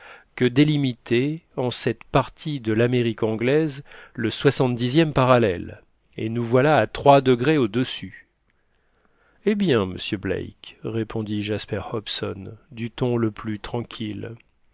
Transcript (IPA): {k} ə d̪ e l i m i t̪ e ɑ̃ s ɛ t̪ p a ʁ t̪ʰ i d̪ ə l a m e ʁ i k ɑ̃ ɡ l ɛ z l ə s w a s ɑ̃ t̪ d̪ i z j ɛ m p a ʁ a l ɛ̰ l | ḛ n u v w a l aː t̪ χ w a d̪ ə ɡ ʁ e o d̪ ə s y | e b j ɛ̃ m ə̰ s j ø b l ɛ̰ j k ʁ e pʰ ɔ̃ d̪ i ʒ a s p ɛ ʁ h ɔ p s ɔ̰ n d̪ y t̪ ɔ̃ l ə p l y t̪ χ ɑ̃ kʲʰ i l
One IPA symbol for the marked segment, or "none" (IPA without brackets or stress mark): k